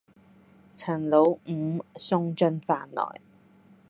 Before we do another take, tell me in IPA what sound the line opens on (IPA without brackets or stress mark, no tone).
t͡sʰ